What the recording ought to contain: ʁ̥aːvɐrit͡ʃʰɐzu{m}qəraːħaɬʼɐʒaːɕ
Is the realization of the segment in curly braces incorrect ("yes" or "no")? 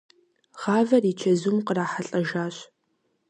no